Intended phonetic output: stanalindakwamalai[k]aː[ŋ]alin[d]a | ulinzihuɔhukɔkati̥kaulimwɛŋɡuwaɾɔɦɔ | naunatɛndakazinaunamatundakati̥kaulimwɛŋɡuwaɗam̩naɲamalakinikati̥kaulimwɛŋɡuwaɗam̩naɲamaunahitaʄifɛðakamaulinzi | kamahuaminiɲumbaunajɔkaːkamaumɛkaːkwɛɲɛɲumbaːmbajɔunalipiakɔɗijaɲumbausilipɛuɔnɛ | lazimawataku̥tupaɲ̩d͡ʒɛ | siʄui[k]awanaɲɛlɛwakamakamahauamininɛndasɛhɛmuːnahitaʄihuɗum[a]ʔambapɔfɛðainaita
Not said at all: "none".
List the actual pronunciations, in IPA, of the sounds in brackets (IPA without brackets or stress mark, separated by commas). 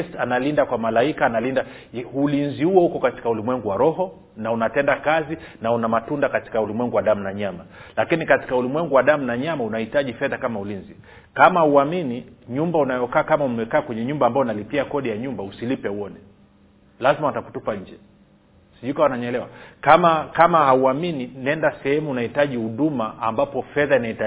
k, n, d, k, a